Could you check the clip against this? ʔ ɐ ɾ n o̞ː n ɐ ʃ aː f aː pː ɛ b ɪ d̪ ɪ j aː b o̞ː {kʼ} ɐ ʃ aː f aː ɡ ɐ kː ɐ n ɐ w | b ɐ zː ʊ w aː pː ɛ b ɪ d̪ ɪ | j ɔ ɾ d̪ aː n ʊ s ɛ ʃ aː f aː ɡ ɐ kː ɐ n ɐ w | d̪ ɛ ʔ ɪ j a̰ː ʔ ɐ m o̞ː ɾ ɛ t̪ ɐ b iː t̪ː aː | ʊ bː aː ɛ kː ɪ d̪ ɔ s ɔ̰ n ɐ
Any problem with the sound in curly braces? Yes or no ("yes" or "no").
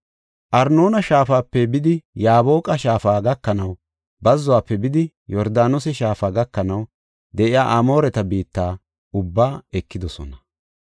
no